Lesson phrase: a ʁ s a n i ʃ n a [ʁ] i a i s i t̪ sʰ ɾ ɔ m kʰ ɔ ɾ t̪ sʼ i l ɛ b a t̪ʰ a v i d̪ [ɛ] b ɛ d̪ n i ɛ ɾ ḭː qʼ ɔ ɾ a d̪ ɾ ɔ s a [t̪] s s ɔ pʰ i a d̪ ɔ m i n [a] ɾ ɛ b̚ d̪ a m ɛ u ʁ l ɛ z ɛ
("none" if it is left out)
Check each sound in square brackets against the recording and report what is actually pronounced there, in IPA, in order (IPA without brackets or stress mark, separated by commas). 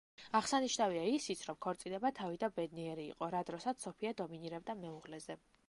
v, a, t̪, i